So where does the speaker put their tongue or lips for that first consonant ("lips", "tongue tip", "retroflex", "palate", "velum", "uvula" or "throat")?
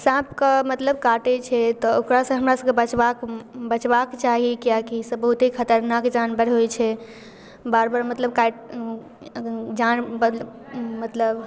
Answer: tongue tip